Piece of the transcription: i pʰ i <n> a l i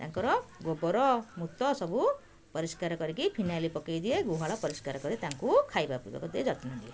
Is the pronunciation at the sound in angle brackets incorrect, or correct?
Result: correct